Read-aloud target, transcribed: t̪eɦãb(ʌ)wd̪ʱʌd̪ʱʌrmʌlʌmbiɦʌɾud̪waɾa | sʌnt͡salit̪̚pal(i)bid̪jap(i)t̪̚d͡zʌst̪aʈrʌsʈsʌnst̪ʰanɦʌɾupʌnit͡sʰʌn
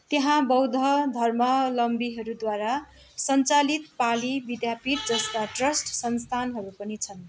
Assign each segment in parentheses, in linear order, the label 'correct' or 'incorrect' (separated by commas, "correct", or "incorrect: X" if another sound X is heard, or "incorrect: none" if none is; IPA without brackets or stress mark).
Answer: correct, correct, correct